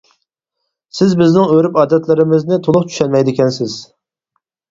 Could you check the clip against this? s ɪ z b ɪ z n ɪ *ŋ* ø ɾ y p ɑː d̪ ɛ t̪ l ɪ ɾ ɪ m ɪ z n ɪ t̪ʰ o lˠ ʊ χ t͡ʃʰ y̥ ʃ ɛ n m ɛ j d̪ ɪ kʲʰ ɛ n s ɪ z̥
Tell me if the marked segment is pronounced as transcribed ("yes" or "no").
yes